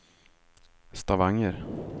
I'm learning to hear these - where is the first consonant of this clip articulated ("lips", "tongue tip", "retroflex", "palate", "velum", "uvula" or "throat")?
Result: tongue tip